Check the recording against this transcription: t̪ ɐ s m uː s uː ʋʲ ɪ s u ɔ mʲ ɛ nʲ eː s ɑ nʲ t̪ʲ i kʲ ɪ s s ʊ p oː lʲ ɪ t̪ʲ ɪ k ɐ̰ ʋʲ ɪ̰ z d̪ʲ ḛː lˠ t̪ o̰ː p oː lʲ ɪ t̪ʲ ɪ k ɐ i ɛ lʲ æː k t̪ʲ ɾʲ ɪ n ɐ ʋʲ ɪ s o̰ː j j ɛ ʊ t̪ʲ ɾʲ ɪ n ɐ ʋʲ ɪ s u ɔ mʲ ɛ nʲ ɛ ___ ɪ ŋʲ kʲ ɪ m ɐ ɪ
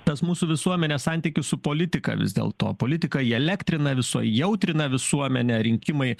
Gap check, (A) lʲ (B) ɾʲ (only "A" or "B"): B